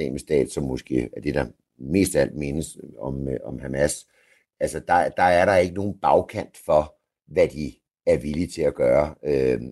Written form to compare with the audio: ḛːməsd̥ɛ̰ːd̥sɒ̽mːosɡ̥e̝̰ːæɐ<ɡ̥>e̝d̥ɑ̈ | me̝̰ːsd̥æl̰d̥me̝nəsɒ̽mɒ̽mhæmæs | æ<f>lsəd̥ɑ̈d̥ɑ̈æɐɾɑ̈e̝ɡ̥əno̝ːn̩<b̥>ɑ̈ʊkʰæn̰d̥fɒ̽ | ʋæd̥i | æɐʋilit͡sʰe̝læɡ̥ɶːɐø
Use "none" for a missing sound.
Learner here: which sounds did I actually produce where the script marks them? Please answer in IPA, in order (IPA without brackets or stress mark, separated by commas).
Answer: d̥, none, b̥